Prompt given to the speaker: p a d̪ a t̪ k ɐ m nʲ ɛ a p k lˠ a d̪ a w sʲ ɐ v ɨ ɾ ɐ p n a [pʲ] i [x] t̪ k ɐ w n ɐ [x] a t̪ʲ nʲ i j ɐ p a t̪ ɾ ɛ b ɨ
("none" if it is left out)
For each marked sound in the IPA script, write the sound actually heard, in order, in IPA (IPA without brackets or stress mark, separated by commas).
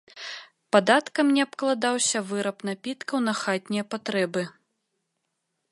pʲ, none, x